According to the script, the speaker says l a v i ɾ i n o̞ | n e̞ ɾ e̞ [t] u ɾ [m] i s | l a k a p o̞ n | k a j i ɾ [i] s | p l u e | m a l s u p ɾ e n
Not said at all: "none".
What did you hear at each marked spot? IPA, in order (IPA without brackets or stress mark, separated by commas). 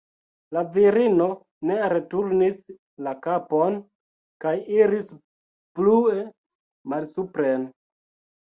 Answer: t, n, i